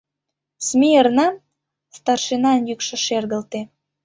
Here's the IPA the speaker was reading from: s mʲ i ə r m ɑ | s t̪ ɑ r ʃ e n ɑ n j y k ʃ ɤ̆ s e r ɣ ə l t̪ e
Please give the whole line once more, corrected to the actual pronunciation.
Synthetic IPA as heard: s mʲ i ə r n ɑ | s t̪ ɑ r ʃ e n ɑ n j y k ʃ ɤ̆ ʃ e r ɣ ə l t̪ e